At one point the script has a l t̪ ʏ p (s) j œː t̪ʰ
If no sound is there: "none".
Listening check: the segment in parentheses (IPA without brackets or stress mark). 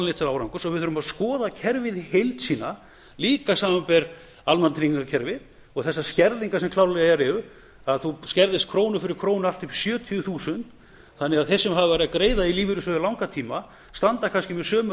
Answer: s